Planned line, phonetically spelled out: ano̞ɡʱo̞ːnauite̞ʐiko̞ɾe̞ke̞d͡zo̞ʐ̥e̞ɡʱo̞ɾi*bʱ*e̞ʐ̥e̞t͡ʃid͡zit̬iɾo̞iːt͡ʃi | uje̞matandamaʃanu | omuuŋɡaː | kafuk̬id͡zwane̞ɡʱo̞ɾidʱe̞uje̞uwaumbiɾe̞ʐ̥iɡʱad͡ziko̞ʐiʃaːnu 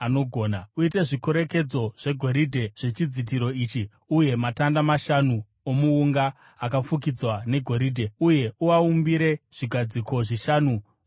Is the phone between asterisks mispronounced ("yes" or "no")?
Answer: yes